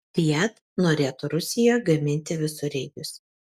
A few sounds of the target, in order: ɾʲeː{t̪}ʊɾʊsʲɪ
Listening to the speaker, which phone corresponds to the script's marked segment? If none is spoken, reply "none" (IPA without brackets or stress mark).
t̪